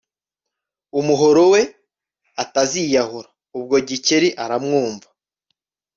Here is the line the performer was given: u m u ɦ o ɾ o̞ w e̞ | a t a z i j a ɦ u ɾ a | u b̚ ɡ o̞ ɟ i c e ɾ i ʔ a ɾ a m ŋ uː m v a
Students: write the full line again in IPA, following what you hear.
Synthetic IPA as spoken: u m u ɦ o ɾ o̞ w e̞ | a t a z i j a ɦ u ɾ a | u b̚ ɡ o̞ ɟ i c e ɾ i ʔ a ɾ a m ŋ uː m v a